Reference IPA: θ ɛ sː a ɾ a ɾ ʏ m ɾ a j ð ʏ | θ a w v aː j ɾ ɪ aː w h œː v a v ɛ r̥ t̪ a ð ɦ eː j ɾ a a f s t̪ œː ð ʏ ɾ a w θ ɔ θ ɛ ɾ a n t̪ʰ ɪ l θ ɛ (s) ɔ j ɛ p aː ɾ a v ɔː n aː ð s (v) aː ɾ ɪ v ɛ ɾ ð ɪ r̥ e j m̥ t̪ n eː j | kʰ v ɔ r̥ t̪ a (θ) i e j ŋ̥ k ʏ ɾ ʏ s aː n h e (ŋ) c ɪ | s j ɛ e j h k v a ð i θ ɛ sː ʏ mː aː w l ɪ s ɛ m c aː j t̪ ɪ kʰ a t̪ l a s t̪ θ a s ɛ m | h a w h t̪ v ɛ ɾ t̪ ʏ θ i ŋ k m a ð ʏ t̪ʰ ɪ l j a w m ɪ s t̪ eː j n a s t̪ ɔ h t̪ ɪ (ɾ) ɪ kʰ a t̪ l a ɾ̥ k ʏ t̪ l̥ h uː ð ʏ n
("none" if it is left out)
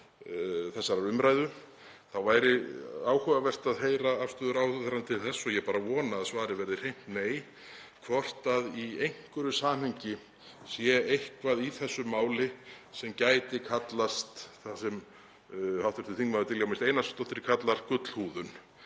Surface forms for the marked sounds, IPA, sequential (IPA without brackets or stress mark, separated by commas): sː, v, ð, ɲ, ɾ